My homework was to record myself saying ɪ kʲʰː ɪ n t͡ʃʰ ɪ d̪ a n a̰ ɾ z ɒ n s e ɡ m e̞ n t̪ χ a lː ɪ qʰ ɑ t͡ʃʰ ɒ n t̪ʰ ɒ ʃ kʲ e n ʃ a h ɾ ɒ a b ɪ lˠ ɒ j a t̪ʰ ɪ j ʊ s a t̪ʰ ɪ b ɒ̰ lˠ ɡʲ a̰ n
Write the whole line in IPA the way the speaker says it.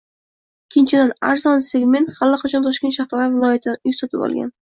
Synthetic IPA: ɪ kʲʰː ɪ n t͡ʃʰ ɪ d̪ a n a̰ ɾ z ɒ n s e ɡ m e̞ n t̪ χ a lː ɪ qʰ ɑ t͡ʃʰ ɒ n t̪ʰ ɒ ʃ kʲ e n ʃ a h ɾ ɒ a v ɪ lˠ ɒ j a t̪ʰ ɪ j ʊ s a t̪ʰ ɪ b ɒ̰ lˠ ɡʲ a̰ n